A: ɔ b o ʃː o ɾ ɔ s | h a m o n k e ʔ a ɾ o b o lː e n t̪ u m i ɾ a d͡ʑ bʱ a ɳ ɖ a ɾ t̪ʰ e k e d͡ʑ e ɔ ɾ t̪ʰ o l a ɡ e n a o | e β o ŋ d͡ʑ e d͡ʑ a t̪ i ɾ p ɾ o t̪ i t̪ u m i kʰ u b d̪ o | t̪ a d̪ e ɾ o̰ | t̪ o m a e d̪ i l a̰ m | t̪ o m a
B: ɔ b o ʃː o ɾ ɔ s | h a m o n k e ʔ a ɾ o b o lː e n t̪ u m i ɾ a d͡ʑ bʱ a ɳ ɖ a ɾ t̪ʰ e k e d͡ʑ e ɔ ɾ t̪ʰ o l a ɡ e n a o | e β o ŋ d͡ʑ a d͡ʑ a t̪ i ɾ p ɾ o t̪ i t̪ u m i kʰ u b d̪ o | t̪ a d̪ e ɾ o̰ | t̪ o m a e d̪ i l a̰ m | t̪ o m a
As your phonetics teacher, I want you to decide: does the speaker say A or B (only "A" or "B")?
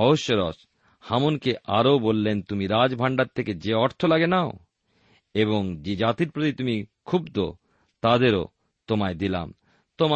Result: A